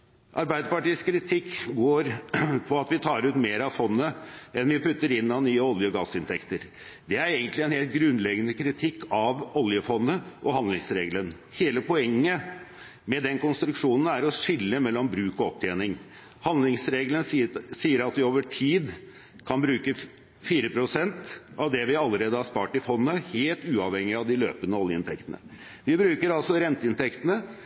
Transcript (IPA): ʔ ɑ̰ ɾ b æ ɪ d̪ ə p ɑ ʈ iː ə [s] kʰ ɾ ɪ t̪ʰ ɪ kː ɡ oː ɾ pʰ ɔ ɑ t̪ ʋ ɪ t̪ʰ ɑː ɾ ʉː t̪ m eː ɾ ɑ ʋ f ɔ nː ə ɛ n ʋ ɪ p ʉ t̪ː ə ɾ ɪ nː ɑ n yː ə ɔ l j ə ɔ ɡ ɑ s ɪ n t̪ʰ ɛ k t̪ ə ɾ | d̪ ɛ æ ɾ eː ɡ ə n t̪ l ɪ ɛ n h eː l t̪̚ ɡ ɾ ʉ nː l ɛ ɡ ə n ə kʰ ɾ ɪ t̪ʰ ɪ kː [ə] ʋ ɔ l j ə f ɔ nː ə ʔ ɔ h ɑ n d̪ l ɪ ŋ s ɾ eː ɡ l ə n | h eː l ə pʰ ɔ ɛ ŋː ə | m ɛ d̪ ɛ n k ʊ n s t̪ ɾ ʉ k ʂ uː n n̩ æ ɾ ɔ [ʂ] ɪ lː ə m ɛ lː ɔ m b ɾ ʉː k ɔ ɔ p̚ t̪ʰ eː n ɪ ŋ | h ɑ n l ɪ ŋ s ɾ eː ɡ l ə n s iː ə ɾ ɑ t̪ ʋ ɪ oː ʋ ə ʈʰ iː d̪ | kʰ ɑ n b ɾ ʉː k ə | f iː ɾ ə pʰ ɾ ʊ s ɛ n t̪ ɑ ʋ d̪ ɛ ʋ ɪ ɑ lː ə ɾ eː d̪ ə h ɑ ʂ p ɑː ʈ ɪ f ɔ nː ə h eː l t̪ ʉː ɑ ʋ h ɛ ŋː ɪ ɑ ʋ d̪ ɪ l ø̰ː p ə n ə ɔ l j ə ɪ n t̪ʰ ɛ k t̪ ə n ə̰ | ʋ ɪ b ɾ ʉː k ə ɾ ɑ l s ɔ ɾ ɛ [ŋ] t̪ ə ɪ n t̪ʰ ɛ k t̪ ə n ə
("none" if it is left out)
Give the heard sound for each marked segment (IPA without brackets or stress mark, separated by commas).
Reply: s, ɑ, ʂ, n